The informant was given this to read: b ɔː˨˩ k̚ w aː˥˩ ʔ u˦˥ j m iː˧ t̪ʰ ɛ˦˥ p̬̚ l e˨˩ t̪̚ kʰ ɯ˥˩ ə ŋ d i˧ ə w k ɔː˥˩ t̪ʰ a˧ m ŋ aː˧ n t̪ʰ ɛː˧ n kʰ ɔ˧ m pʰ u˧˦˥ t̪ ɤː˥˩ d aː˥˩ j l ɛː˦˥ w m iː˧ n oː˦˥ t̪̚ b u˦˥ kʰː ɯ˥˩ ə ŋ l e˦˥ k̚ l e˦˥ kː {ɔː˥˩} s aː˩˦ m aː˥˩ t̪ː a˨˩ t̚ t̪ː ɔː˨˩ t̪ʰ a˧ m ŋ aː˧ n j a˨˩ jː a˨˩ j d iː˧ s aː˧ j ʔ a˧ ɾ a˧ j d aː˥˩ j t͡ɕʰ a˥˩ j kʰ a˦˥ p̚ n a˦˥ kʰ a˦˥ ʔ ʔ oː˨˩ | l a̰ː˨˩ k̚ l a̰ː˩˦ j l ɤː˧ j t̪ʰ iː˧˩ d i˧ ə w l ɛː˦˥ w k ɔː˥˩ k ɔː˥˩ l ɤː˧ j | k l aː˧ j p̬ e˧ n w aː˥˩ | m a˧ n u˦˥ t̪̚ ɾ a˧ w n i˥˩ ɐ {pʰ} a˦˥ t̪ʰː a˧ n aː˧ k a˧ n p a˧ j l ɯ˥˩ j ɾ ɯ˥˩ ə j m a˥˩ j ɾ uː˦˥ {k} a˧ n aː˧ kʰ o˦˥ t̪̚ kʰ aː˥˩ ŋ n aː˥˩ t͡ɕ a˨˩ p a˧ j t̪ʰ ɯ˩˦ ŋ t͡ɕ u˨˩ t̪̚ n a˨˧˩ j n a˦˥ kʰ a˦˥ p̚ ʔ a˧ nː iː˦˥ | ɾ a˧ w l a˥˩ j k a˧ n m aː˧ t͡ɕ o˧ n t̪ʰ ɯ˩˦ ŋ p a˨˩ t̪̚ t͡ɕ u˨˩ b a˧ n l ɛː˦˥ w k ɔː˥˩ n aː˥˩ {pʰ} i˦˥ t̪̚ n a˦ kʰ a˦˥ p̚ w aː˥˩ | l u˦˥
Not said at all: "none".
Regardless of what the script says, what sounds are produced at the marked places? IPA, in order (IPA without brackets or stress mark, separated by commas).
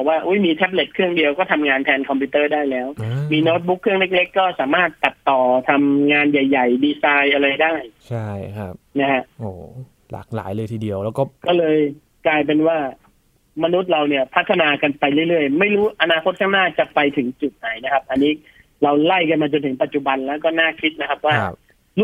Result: ɔː˥˩, pʰ, ʔ, kʰ